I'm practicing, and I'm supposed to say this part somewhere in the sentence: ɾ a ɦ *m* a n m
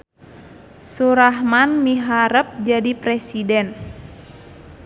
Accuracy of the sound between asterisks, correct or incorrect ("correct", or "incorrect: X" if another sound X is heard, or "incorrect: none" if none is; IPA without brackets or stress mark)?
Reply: correct